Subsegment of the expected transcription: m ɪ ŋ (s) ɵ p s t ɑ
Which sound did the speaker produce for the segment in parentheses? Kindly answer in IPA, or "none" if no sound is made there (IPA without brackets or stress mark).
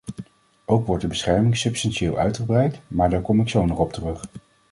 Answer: s